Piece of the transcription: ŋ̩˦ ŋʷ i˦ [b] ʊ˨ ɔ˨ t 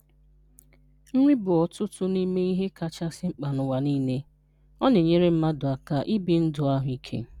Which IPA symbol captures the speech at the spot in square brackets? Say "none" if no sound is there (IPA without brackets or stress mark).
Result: b